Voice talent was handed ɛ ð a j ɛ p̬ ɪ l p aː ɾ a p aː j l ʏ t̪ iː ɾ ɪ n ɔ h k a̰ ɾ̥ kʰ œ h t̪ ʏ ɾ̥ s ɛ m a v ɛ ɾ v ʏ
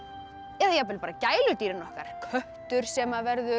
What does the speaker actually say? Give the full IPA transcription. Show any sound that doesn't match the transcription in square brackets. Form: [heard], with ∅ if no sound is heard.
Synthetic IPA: ɛ ð a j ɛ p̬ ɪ l p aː ɾ a [c] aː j l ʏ t̪ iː ɾ ɪ n ɔ h k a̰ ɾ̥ kʰ œ h t̪ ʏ ɾ̥ s ɛ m a v ɛ ɾ [ð] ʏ